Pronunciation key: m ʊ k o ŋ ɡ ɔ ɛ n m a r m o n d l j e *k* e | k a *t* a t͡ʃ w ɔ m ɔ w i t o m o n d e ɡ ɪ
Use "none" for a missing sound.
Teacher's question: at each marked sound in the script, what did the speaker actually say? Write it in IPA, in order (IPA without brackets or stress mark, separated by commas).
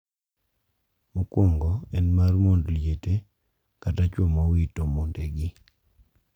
t, t